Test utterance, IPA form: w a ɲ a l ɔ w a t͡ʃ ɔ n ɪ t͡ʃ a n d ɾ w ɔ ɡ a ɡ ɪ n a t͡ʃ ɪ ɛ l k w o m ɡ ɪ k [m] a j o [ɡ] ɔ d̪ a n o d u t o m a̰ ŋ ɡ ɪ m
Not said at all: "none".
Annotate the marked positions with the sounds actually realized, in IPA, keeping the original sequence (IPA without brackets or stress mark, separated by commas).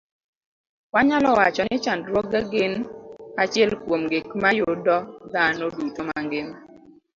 m, d